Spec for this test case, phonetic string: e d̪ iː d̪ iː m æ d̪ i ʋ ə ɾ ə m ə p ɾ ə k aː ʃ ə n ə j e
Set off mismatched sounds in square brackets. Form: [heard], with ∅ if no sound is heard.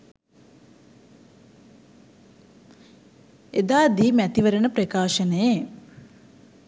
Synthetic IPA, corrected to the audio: e d̪ [aː] d̪ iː m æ [t̪] i ʋ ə ɾ ə [n] ə p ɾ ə k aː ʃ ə n ə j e